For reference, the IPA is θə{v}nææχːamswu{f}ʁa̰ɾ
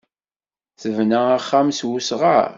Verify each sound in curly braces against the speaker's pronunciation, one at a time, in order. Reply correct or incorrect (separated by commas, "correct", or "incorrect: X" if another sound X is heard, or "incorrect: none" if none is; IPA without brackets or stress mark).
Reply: correct, incorrect: s